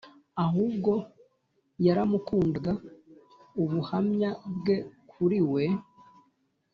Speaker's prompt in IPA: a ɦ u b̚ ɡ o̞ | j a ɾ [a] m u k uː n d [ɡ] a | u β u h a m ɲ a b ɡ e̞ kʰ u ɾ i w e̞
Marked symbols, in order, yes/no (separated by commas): yes, yes